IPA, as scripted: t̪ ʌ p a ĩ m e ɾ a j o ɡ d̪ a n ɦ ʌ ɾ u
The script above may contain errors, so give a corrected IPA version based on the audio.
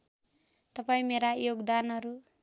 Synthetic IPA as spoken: t̪ ʌ p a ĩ m e ɾ a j o ɡ d̪ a n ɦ ʌ ɾ u